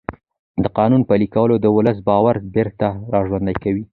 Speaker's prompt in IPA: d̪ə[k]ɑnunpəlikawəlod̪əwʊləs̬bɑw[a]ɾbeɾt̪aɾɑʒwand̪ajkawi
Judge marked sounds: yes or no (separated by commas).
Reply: no, yes